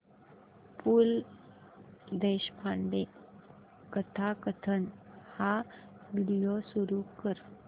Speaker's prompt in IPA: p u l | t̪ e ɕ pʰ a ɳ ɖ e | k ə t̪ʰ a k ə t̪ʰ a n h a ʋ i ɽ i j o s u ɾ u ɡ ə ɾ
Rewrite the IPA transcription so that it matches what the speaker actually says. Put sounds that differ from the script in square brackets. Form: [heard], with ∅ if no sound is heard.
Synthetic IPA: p u l | [d̪] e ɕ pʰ a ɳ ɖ e | k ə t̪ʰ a k ə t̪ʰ [ə] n h a ʋ i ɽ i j o s u ɾ u [k] ə ɾ